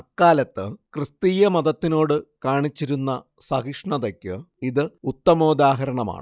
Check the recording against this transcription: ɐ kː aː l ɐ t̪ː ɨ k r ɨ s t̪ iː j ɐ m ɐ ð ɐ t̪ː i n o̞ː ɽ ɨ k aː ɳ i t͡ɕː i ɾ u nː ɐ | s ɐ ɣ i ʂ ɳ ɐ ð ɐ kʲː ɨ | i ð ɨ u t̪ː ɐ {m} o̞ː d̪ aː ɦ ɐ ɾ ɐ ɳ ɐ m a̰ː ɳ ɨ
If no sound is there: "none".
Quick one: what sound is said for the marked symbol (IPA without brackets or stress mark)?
m